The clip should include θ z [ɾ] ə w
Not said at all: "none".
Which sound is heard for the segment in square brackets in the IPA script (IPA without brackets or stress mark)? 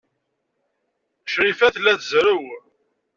ɾ